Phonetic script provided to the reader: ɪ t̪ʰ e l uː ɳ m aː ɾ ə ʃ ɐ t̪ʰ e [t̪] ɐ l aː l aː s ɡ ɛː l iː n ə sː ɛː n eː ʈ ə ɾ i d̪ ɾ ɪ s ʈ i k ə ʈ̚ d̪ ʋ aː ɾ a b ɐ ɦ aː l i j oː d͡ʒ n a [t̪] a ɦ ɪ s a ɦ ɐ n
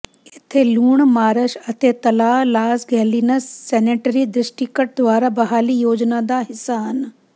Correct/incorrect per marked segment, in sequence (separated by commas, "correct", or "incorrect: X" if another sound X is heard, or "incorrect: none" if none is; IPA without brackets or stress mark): correct, incorrect: d̪